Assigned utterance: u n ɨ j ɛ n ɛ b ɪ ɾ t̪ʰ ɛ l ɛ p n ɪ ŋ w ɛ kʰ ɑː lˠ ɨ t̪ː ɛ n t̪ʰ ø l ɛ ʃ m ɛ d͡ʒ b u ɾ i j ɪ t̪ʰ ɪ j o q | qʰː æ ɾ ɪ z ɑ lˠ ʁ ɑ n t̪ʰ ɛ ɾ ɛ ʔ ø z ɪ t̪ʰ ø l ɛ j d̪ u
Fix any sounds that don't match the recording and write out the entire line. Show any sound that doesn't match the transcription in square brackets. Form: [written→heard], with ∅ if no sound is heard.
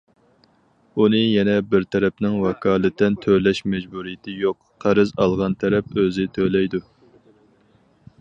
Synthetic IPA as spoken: u n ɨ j ɛ n ɛ b ɪ ɾ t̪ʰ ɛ [l→ɾ] ɛ p n ɪ ŋ w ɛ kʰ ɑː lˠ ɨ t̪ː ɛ n t̪ʰ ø l ɛ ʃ m ɛ d͡ʒ b u ɾ i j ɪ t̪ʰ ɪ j o q | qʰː æ ɾ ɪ z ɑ lˠ ʁ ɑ n t̪ʰ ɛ ɾ ɛ [ʔ→p] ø z ɪ t̪ʰ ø l ɛ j d̪ u